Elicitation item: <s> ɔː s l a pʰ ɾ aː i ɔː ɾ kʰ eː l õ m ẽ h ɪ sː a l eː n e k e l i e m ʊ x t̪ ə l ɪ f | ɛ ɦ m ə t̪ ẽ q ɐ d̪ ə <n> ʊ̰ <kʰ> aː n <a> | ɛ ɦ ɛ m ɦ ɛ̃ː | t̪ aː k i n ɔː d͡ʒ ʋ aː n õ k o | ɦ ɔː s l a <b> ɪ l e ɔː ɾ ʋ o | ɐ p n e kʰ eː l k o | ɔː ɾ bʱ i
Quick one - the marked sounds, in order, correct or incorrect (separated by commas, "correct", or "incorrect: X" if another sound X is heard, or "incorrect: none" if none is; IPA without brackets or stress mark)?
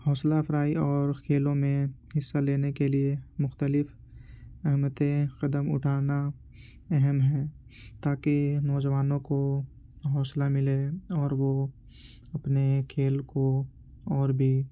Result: incorrect: h, incorrect: m, incorrect: ʈʰ, correct, incorrect: m